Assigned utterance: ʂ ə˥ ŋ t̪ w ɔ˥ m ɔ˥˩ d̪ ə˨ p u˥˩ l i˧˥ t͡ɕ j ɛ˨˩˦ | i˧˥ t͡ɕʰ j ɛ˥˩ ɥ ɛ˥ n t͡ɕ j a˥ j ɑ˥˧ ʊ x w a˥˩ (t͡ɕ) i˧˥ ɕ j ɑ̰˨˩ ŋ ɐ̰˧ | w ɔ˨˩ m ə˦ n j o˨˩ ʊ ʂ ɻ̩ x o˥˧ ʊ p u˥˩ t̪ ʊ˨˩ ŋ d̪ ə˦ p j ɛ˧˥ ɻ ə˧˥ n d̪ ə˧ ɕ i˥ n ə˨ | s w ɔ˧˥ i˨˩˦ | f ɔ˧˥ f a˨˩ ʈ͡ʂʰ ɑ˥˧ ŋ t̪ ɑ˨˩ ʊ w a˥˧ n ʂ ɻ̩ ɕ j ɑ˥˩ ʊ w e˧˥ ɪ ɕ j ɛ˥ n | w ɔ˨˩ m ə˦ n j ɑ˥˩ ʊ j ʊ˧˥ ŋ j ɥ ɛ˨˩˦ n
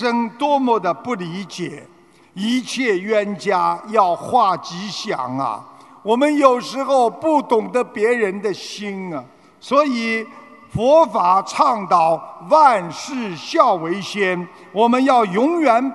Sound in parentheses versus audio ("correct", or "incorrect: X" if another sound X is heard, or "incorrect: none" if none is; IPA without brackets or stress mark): correct